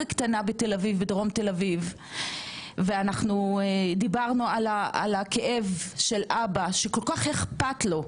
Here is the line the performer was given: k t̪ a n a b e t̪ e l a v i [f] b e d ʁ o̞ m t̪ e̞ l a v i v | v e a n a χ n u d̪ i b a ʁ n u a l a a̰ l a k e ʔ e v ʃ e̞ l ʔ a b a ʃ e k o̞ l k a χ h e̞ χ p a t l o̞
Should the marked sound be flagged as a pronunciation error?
yes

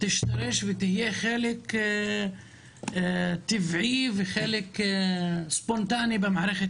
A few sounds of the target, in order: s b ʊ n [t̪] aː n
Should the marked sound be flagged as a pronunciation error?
no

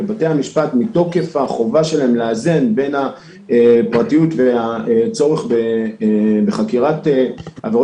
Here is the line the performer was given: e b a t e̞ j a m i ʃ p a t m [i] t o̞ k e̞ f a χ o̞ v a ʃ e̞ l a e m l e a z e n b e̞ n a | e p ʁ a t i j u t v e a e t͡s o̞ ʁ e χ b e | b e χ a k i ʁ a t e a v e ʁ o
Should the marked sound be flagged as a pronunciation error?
no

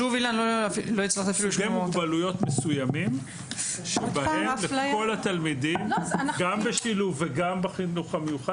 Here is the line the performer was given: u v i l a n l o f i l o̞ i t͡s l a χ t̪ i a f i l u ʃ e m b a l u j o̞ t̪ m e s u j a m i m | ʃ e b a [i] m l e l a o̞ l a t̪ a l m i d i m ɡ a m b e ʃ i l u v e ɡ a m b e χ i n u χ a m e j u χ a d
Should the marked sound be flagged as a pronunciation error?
yes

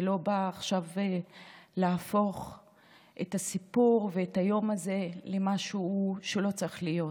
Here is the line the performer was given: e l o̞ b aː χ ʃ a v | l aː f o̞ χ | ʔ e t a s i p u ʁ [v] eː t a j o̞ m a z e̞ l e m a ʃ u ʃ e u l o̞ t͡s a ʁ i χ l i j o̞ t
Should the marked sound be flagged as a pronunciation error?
no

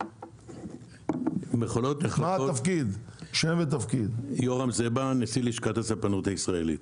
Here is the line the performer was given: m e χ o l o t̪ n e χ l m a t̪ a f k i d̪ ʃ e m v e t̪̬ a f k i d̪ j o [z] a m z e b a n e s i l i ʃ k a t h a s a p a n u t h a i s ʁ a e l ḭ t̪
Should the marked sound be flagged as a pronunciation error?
yes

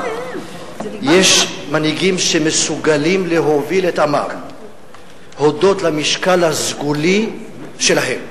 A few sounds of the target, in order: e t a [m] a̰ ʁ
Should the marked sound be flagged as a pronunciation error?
no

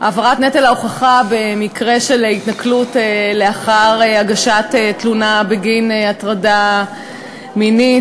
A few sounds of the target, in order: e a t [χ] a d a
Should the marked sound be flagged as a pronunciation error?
yes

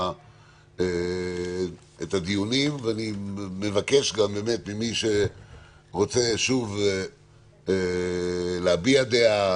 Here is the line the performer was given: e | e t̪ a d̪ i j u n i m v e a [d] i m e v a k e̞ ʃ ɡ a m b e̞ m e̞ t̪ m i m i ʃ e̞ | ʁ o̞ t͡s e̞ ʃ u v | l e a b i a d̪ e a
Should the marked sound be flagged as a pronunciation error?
yes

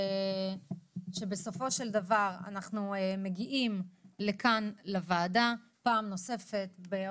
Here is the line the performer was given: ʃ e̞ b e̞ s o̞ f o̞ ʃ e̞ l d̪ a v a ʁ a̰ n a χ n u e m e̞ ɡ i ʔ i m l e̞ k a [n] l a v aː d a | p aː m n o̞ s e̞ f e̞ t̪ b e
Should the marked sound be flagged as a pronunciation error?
no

